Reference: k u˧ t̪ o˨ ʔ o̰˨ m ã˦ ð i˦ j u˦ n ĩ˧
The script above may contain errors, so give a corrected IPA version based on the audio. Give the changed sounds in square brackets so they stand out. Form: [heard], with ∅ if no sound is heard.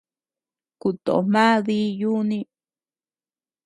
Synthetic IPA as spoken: k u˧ t̪ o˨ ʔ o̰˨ m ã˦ ð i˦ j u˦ n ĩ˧

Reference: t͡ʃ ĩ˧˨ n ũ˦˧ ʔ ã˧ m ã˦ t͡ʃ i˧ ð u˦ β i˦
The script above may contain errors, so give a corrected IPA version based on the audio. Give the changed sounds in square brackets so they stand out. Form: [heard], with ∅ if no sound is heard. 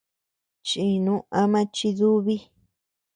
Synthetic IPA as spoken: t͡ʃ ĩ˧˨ n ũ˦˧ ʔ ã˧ m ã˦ t͡ʃ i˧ ð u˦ β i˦

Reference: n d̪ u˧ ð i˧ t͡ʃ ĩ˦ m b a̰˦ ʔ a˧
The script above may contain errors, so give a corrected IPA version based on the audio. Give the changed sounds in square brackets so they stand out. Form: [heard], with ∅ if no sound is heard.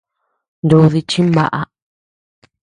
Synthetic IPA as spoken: n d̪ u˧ ð i˧ t͡ʃ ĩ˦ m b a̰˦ ʔ a˧

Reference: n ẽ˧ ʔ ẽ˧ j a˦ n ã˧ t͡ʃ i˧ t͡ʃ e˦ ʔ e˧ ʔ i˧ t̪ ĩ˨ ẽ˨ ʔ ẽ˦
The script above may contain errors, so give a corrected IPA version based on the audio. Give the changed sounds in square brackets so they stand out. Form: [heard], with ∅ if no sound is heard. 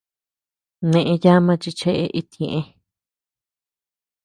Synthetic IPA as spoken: n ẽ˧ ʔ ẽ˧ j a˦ [m] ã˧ t͡ʃ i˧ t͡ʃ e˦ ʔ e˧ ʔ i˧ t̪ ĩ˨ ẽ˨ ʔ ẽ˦

